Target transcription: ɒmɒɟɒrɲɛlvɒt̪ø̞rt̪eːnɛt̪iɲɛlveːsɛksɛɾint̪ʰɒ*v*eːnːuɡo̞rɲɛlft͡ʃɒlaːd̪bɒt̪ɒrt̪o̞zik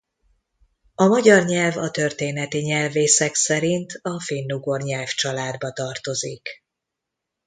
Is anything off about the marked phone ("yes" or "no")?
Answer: yes